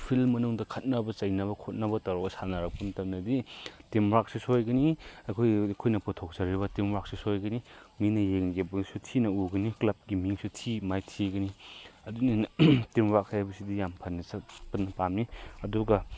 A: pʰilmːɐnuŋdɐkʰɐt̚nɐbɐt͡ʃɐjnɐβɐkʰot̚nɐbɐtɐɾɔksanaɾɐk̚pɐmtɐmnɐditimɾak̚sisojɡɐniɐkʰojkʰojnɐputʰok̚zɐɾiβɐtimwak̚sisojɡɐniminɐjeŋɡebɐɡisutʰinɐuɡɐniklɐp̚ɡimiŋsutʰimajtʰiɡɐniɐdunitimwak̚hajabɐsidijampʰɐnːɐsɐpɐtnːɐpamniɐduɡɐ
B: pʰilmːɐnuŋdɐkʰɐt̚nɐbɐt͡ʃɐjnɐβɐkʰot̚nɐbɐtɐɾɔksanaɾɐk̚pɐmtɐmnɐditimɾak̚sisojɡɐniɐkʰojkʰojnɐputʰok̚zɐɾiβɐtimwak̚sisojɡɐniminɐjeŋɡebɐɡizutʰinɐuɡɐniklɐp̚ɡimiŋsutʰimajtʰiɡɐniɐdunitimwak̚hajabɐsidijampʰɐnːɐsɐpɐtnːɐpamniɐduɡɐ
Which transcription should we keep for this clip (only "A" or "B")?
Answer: A